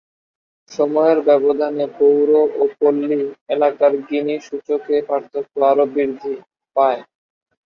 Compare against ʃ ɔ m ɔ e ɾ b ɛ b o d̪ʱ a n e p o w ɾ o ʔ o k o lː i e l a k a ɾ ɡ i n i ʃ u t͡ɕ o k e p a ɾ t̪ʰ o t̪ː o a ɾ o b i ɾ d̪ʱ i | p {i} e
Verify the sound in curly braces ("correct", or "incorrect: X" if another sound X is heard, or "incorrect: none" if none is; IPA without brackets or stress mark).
incorrect: a